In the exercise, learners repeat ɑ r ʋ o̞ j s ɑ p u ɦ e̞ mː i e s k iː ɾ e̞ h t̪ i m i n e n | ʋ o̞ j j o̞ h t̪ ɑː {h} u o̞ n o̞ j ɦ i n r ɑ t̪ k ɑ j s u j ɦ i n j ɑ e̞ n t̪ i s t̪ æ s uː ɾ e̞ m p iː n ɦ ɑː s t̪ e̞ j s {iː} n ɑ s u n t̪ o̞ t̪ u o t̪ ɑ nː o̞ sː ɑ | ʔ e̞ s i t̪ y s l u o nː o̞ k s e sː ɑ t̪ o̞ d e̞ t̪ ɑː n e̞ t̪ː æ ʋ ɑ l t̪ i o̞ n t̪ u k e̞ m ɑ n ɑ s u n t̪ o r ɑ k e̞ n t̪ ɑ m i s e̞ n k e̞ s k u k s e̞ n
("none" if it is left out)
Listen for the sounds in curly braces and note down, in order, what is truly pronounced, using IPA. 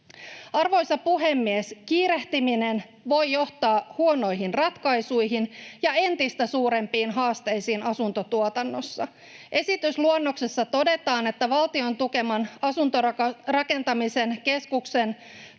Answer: h, iː

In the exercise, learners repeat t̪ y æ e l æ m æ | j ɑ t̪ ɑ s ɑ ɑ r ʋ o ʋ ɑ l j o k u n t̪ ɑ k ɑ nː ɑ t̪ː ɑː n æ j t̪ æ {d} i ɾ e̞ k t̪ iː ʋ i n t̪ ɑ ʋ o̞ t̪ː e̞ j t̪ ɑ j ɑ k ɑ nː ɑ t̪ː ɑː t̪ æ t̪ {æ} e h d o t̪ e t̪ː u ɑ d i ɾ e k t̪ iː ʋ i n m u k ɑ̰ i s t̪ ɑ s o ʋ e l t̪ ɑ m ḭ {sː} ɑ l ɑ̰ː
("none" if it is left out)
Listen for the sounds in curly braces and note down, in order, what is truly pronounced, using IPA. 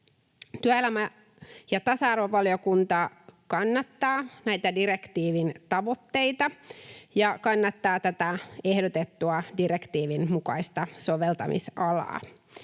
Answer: d, æ, s

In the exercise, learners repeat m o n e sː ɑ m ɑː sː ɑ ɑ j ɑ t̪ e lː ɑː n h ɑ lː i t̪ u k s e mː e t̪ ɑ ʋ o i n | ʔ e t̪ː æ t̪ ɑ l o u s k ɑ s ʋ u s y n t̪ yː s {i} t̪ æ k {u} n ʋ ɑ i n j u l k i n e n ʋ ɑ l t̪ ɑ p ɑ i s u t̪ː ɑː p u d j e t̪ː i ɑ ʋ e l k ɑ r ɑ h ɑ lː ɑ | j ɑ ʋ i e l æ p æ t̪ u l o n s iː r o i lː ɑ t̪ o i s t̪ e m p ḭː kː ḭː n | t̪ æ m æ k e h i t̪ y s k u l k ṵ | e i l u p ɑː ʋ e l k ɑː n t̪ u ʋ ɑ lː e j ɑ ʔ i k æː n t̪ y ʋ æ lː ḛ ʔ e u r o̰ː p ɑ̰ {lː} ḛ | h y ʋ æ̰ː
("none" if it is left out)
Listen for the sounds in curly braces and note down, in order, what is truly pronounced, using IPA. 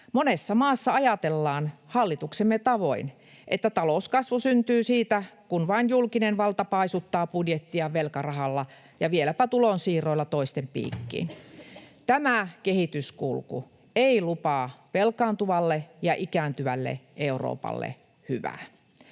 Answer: iː, u, lː

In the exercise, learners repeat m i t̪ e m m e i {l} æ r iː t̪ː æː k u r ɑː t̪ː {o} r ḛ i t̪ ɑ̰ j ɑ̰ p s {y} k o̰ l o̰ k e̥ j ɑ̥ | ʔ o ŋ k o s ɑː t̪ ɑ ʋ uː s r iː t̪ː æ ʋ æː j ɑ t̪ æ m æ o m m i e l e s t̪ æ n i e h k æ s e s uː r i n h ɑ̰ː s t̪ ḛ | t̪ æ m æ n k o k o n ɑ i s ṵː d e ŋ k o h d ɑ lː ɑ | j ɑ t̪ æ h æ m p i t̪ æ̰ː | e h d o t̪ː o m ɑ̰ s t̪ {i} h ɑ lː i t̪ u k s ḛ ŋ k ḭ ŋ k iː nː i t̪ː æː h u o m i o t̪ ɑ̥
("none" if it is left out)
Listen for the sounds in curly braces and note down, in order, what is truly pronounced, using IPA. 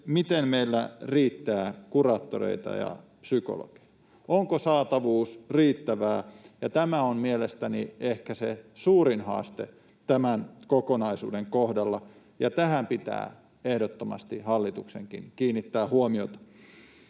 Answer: lː, o, y, i

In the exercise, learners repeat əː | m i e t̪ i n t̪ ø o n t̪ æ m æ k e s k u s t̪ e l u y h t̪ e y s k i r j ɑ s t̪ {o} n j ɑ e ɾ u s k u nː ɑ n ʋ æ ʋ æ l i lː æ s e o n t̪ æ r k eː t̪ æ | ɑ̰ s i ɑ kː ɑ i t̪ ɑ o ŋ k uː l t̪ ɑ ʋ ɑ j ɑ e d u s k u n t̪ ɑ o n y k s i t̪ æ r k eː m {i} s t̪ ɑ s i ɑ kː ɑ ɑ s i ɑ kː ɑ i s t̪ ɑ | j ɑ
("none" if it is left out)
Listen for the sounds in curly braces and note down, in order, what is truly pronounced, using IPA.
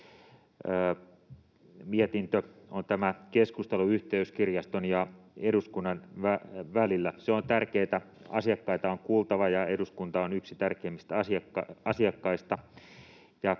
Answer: o, i

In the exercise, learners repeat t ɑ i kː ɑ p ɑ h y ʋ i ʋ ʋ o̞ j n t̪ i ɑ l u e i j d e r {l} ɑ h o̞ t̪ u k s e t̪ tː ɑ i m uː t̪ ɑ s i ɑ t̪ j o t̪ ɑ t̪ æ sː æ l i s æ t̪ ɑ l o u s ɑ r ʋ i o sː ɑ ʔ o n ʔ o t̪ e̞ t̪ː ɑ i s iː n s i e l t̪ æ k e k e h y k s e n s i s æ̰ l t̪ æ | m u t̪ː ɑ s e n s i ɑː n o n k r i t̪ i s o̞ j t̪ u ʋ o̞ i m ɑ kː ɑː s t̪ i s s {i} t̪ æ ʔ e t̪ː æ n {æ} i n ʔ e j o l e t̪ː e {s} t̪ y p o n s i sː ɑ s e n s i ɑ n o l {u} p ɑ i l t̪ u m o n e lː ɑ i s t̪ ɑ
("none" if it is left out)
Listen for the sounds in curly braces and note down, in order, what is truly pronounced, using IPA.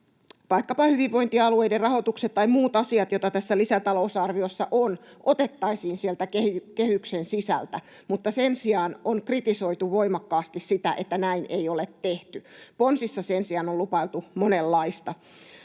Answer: r, i, æ, h, u

